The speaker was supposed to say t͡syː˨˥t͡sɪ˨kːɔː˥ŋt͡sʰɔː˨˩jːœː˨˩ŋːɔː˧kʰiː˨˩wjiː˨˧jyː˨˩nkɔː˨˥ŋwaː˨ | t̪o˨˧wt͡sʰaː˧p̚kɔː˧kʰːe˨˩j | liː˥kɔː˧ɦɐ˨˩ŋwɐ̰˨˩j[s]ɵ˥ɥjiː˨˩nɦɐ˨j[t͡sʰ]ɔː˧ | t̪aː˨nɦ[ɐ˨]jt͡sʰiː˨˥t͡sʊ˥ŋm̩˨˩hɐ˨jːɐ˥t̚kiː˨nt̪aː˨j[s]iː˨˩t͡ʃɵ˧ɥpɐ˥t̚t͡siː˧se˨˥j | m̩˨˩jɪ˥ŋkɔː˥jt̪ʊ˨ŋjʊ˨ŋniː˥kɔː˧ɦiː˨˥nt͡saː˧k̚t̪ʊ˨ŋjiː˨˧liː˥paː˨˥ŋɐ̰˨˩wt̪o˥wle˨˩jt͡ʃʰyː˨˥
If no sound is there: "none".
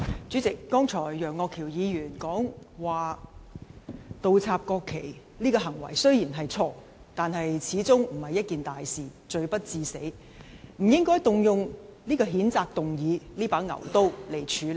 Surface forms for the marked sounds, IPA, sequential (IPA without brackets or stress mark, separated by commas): s, t͡sʰ, ɐ˨, s